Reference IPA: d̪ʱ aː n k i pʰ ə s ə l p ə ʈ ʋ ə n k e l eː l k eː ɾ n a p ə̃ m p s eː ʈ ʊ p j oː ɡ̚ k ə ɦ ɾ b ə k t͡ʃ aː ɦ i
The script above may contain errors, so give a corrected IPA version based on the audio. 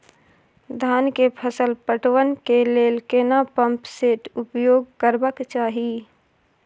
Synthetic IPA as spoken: d̪ʱ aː n k e pʰ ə s ə l p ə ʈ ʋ ə n k e l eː l k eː n a p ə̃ m p s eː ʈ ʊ p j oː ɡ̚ k ə ɾ b ə k t͡ʃ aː ɦ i